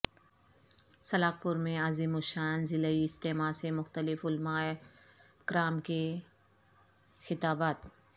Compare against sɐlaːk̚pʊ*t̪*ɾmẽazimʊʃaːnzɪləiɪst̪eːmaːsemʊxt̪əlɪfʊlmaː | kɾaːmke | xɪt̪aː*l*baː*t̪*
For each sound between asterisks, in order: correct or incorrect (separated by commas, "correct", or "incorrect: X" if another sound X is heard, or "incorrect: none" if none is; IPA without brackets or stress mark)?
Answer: incorrect: none, incorrect: none, correct